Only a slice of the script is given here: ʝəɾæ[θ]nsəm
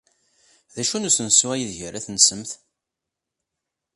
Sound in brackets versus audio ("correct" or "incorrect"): correct